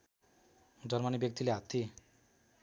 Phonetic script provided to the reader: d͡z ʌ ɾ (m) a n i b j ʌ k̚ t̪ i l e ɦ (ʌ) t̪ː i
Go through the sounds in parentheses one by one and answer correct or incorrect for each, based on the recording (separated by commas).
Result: correct, incorrect